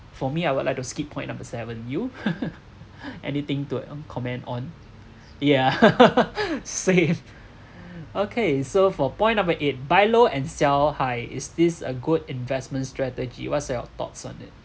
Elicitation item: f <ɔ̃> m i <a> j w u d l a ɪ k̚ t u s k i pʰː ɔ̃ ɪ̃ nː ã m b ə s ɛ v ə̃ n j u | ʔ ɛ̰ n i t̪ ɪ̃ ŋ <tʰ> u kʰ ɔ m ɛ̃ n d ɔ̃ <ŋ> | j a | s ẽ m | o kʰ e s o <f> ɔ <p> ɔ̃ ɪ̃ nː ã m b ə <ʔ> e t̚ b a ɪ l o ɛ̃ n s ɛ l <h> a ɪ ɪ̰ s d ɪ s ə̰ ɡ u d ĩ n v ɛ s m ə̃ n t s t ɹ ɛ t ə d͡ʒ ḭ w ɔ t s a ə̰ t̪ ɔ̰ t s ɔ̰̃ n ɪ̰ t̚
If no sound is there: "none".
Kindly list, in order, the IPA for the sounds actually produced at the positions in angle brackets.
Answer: ɔ, a, t, n, f, p, ʔ, h

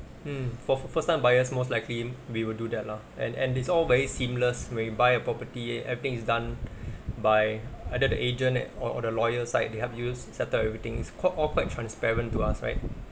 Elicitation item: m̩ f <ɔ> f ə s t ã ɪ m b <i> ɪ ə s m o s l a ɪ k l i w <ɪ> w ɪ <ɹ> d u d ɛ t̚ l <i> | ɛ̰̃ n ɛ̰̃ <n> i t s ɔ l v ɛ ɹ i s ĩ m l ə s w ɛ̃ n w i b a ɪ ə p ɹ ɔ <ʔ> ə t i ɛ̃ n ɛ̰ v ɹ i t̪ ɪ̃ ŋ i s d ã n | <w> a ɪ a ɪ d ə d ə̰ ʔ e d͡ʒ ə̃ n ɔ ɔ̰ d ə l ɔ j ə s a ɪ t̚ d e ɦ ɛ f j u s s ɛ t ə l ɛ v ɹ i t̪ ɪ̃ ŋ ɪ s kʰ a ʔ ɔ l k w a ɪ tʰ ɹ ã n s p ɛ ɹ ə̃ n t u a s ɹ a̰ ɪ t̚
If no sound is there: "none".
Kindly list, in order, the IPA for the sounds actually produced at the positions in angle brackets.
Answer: ɔ, a, i, l, a, n, p, b

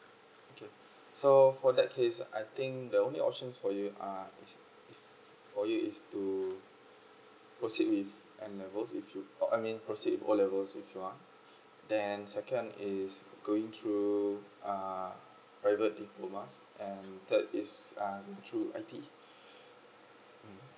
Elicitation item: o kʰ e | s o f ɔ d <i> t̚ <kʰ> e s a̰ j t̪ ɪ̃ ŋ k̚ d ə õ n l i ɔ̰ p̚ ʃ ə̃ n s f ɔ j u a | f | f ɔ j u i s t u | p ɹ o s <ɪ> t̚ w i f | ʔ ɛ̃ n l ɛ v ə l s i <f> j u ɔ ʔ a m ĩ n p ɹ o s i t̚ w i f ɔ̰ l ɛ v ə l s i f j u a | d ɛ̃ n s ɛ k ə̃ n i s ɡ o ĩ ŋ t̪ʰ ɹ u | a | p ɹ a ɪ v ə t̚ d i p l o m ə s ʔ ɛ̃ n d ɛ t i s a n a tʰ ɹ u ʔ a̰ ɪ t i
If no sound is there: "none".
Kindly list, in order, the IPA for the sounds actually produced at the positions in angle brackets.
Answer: ɛ, kʰ, i, f

